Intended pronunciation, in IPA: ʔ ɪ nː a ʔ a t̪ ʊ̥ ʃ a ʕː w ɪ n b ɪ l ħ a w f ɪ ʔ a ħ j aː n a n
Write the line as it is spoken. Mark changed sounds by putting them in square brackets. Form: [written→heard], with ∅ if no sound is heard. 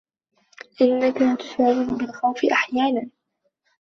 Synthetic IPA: ʔ ɪ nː a [ʔ→k] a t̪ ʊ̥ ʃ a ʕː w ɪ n b ɪ l [ħ→x] a w f ɪ ʔ a ħ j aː n a n

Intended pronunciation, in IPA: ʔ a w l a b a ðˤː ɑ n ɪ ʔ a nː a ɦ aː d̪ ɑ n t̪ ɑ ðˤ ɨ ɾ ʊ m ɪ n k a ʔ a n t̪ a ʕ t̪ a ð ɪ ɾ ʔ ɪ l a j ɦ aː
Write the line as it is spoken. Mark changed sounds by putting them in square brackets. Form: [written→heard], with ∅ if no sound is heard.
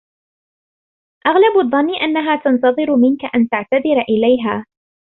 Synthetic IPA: ʔ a [w→ɣ] l a b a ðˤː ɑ [n→nː] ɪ ʔ a nː a ɦ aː [d̪→t̪] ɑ n t̪ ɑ ðˤ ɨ ɾ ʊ m ɪ n k a ʔ a n t̪ a ʕ t̪ a ð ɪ ɾ ʔ ɪ l a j ɦ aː

